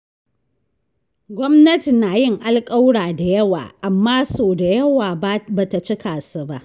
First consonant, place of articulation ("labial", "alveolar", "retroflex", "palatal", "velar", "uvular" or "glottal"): velar